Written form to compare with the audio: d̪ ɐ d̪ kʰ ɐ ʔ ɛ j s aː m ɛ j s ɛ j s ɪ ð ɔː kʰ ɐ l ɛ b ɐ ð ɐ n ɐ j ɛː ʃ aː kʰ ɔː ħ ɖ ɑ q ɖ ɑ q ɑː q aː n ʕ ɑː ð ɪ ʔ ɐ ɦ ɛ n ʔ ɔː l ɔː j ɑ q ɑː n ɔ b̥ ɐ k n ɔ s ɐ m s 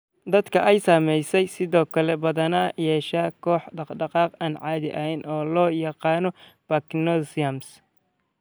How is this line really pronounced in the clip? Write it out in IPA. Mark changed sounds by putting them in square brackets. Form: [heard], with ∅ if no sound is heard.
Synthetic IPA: d̪ ɐ d̪ kʰ ɐ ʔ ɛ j s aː m ɛ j s ɛ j s ɪ ð ɔː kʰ ɐ l ɛ b ɐ ð ɐ n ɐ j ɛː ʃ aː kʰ ɔː ħ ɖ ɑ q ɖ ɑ q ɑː q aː n ʕ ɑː ð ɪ ʔ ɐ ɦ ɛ n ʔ ɔː l ɔː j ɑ q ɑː n ɔ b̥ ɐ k n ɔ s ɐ m s